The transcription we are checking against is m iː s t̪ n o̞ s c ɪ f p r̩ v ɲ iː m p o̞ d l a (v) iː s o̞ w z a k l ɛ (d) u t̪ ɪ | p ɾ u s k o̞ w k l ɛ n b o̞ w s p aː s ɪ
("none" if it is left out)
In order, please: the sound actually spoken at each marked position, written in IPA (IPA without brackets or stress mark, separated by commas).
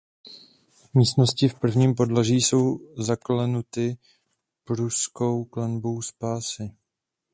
ʒ, n